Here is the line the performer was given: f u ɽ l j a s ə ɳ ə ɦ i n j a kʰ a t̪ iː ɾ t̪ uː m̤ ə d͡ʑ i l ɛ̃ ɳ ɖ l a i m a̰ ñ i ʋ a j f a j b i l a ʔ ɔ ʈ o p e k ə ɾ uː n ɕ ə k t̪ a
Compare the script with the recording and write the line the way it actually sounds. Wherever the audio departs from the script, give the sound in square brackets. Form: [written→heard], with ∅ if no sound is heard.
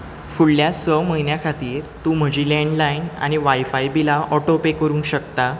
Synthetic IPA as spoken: f u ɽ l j a s ə [ɳ→m] ə ɦ i n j a kʰ a t̪ iː ɾ t̪ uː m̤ ə d͡ʑ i l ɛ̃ ɳ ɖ l a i [m→n] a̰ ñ i ʋ a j f a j b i l a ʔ ɔ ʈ o p e k ə ɾ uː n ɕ ə k t̪ a